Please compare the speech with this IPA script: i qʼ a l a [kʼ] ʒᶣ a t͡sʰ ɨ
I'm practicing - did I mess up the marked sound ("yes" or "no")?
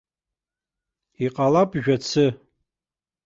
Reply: yes